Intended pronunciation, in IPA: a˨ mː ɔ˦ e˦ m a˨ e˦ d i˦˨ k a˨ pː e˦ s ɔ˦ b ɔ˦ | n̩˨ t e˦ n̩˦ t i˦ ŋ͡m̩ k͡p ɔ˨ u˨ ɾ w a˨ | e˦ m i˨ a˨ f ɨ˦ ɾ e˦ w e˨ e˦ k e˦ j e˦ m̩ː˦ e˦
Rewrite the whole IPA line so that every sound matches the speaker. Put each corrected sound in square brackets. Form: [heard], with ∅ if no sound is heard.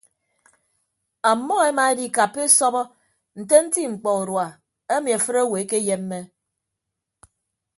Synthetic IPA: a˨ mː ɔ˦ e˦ m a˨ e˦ d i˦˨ k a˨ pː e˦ s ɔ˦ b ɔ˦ | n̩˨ t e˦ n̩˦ t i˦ ŋ͡m̩ k͡p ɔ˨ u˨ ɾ w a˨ | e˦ m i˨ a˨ f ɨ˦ ɾ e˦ w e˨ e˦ k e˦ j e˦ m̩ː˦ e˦

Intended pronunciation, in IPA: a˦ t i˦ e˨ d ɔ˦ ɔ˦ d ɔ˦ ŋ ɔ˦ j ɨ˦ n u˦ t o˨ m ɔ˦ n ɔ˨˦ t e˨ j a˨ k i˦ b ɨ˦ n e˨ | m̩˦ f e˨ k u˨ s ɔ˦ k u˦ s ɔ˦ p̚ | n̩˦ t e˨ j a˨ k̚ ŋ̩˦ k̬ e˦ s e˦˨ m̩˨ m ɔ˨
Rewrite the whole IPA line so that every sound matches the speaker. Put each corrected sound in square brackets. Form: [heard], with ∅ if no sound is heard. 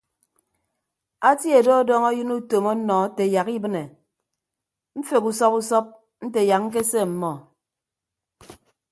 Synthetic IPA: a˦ t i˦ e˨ d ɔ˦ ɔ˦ d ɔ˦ ŋ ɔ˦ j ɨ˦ n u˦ t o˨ m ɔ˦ n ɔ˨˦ t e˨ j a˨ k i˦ b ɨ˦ n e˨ | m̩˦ f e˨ k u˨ s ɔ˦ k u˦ s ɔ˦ p̚ | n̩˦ t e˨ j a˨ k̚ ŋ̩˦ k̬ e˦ s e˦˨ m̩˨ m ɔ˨

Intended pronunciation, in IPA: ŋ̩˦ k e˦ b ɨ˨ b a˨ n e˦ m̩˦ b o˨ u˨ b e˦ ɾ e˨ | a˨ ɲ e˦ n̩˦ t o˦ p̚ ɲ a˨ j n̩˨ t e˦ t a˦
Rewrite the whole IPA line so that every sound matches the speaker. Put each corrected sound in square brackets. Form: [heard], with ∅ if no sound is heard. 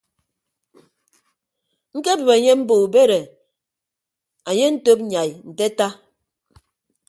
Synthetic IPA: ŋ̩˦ k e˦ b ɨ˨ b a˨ [ɲ] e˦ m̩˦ b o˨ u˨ b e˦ ɾ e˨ | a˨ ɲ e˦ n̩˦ t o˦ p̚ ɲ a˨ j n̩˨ t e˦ t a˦

